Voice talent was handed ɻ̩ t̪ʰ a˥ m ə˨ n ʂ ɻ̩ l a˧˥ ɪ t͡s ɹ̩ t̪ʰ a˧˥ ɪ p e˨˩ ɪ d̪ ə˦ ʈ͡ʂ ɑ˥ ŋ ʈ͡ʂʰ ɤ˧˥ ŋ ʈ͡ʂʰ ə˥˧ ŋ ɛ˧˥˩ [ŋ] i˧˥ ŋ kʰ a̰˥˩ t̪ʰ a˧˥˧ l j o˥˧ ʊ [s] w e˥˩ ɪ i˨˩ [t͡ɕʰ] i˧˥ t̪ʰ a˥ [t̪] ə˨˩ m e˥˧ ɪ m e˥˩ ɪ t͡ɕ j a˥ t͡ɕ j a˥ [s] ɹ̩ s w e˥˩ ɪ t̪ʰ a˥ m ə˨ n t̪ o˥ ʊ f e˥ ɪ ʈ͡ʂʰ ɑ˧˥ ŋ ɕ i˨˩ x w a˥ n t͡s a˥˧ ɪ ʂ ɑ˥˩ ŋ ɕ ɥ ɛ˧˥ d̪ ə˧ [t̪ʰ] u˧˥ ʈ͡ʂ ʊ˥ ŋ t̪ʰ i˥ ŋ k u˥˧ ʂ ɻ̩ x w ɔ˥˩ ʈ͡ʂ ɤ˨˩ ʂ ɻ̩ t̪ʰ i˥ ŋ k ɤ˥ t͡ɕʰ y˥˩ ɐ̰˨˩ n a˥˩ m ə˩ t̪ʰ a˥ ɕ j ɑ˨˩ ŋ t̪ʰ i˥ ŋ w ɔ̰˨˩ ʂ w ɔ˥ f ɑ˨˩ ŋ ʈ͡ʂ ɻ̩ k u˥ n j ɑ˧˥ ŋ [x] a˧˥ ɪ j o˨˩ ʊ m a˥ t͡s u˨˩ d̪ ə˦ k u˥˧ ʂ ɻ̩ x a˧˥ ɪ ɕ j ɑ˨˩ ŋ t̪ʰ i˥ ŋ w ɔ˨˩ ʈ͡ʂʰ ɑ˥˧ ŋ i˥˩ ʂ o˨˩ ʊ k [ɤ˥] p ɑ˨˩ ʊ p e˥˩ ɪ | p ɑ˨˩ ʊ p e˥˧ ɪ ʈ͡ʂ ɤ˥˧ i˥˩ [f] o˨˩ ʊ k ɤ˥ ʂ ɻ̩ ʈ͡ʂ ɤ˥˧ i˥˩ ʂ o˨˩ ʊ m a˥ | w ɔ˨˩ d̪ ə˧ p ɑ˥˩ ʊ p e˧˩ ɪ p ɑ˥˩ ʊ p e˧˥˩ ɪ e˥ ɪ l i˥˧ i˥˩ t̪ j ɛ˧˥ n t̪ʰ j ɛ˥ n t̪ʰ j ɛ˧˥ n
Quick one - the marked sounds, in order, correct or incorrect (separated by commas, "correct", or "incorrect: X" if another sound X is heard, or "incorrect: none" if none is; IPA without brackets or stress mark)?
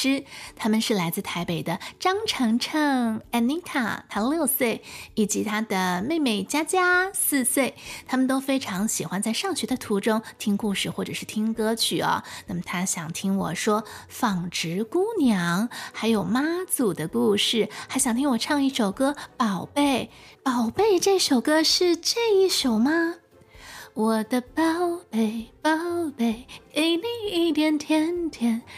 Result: incorrect: n, correct, incorrect: t͡ɕ, incorrect: d̪, correct, correct, correct, correct, incorrect: ʂ